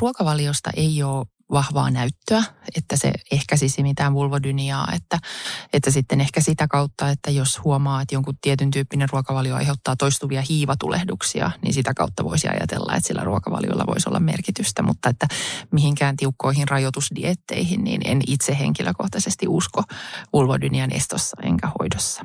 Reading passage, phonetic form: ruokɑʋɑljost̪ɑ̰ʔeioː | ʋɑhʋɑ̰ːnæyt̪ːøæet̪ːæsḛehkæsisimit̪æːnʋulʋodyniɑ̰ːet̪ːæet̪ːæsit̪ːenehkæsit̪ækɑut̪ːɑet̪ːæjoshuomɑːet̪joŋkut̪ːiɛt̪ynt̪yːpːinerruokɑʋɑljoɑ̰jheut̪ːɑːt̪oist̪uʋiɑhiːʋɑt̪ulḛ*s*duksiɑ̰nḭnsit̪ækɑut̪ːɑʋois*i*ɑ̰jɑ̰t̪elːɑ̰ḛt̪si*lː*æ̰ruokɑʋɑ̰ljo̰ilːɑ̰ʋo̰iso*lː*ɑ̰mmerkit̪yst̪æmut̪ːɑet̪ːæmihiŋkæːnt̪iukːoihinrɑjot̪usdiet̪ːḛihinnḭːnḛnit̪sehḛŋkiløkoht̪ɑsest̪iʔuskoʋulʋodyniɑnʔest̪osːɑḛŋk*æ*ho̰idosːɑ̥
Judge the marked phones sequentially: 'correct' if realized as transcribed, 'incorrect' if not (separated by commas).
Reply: incorrect, correct, correct, correct, correct